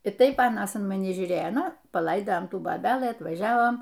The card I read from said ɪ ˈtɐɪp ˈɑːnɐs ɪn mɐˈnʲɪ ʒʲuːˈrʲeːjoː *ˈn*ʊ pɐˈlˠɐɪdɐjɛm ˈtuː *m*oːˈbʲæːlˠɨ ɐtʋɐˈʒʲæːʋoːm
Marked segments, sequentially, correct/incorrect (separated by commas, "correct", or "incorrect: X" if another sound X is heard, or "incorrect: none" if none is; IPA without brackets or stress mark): correct, incorrect: b